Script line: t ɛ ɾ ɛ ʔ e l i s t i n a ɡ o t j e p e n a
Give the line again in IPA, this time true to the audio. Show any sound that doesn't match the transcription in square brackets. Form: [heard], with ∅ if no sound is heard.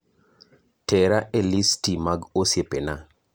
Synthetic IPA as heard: t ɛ ɾ [a] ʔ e l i s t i [m] a ɡ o [s] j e p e n a